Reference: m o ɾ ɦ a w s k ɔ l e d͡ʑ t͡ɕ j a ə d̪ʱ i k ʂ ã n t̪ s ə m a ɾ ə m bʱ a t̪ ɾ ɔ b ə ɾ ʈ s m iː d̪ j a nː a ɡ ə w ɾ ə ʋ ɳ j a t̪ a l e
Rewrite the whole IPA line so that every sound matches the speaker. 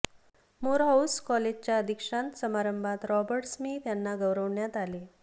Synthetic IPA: m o ɾ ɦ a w s k ɔ l e d͡ʑ t͡ɕ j a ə d̪ʱ i k ʂ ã n t̪ s ə m a ɾ ə m bʱ a t̪ ɾ ɔ b ə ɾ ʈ s m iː t̪ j a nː a ɡ ə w ɾ ə ʋ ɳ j a t̪ a l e